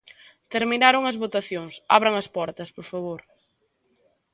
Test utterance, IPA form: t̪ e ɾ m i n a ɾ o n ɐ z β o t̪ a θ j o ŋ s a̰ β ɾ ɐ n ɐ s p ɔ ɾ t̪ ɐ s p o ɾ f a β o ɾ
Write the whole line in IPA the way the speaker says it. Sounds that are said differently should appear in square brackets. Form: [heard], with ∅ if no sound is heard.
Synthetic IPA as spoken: t̪ e ɾ m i n a ɾ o [ŋ] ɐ z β o t̪ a θ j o ŋ s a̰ β ɾ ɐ [ŋ] ɐ s p ɔ ɾ t̪ ɐ s p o ɾ f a β o ɾ